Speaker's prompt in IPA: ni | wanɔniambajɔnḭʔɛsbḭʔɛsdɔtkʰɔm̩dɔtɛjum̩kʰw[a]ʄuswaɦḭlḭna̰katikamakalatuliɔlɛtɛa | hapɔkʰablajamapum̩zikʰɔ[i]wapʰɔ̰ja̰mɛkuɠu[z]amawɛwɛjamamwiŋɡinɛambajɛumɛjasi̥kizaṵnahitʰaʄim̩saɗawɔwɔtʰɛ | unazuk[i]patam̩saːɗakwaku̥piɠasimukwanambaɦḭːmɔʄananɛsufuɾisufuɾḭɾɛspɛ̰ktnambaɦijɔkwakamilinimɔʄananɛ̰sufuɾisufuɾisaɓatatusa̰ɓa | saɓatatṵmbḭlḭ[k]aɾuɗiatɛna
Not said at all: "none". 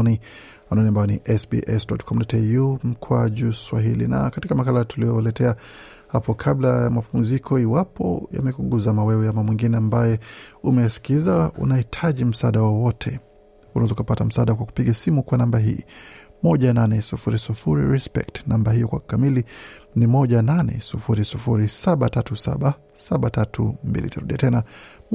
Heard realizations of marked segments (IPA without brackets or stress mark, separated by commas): a, i, z, a, t